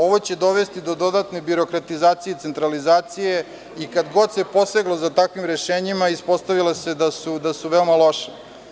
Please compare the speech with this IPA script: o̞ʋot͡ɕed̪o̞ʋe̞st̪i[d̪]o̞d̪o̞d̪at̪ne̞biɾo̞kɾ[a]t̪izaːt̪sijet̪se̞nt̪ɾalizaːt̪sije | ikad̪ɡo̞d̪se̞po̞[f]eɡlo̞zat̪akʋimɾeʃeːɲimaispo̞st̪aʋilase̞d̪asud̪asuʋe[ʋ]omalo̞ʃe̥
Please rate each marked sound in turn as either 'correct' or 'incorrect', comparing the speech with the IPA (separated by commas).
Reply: correct, correct, incorrect, incorrect